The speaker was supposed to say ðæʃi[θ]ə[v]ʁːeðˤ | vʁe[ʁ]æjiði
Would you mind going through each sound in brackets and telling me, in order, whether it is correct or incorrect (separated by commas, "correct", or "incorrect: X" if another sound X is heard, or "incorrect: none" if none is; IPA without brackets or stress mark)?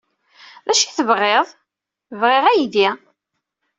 correct, correct, correct